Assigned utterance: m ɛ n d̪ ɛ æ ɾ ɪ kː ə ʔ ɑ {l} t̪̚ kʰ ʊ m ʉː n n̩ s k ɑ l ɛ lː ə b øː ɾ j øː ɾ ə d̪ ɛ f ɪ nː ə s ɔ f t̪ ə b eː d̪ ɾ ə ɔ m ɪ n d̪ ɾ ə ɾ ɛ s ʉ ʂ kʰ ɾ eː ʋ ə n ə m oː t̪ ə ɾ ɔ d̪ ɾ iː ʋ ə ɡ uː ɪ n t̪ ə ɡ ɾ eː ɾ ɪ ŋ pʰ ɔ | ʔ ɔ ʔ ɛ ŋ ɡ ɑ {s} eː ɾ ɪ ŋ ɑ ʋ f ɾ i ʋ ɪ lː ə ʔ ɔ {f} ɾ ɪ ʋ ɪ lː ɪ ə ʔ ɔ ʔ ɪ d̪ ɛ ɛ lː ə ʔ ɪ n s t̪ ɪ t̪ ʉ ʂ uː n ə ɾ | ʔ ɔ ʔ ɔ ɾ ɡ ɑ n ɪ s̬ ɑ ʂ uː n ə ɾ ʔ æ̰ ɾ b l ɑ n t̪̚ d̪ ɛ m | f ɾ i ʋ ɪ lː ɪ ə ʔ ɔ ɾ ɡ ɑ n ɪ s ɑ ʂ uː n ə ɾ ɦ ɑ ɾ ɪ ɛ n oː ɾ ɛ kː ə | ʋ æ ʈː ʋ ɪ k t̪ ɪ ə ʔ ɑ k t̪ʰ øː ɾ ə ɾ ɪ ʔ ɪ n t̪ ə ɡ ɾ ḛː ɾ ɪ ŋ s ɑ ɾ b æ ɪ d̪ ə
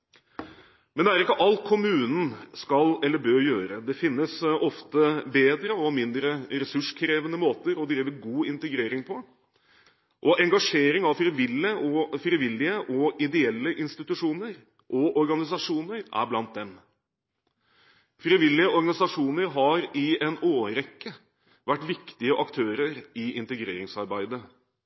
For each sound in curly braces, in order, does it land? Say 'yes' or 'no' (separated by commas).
yes, no, yes